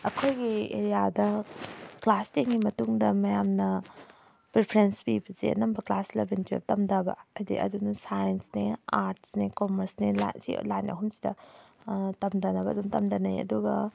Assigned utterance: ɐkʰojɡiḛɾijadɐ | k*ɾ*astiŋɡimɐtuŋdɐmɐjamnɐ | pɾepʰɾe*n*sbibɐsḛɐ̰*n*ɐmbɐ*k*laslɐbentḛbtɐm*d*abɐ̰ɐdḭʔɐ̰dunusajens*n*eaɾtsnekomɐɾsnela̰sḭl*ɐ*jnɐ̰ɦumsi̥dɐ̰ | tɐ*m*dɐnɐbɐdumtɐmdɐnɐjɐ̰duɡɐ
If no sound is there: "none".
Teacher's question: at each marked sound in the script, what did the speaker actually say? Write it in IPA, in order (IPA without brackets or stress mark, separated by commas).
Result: l, n, n, k, d, n, a, m